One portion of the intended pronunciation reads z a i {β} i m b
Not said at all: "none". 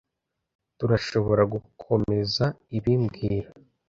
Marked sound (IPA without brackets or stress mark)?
β